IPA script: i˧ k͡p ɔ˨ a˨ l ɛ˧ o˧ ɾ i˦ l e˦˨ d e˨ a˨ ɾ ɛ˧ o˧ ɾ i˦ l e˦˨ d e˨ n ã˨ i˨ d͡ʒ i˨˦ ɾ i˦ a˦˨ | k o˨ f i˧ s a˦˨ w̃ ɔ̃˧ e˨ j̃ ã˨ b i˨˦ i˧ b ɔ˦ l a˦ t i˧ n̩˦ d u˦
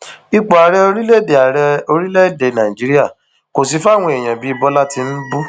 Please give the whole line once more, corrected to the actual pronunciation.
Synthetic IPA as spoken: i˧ k͡p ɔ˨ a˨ ɾ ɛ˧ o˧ ɾ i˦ l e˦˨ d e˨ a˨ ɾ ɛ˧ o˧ ɾ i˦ l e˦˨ d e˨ n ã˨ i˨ d͡ʒ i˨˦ ɾ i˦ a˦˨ | k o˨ s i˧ f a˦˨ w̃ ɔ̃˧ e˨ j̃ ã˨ b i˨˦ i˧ b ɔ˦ l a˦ t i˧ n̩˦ b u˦